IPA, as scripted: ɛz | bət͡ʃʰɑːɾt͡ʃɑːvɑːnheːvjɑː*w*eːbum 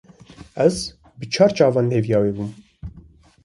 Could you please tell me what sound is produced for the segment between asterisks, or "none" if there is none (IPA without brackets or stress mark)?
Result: w